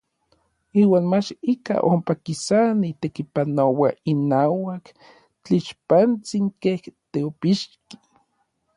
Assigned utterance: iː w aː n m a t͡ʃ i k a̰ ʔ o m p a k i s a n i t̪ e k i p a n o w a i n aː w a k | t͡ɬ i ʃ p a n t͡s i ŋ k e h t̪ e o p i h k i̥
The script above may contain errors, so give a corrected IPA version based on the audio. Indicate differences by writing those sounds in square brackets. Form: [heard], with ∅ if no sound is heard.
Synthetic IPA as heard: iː w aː n m a t͡ʃ i k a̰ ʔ o m p a k i s a n i t̪ e k i p a n o w a i n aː w a k | t͡ɬ i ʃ p a n t͡s i ŋ k e h t̪ e o p i [ʃ] k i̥